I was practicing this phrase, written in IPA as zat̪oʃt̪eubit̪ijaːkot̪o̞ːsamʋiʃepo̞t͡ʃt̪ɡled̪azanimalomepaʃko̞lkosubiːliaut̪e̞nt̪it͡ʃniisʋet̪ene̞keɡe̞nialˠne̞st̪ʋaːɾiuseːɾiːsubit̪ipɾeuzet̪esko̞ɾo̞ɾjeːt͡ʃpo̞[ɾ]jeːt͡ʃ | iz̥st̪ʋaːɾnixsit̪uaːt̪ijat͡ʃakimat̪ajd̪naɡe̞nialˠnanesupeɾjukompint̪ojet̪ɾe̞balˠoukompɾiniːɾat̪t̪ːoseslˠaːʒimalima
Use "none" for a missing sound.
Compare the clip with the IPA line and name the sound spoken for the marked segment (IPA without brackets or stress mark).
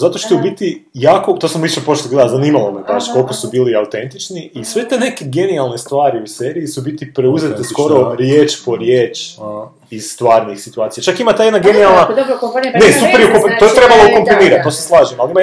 ɾ